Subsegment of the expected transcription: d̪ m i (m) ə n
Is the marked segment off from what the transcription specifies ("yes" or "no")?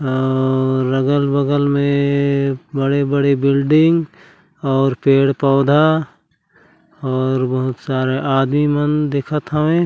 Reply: no